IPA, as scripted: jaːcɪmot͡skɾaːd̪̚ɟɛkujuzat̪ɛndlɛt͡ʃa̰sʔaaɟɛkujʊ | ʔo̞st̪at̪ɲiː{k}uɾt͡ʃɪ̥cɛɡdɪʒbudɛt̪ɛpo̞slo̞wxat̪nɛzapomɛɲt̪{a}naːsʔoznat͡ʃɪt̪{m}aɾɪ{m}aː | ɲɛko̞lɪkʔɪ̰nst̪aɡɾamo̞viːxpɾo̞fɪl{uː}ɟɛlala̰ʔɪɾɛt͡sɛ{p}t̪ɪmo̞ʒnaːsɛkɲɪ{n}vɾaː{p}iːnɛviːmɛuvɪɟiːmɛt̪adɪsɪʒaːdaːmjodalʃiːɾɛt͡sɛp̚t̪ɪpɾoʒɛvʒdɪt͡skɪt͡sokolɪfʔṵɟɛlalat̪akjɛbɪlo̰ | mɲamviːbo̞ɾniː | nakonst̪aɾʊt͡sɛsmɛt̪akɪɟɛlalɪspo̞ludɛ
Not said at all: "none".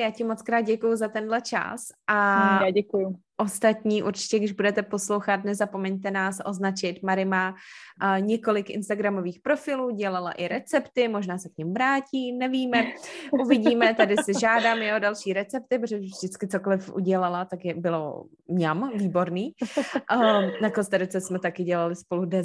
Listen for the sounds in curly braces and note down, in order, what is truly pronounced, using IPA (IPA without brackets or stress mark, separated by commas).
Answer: ʔ, ɛ, m, m, uː, p, m, c